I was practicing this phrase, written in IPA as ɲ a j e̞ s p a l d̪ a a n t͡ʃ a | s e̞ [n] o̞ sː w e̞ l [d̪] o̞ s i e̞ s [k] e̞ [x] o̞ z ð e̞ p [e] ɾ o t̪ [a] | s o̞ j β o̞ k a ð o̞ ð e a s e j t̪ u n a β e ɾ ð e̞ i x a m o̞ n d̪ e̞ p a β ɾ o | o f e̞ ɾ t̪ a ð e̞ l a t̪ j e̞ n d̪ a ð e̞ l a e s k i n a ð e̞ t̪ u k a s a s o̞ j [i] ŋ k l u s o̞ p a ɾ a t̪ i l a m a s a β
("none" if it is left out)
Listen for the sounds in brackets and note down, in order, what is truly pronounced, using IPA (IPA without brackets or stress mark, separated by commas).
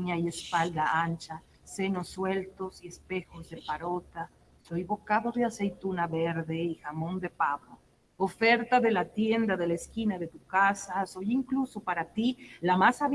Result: n, t̪, p, x, a, a, i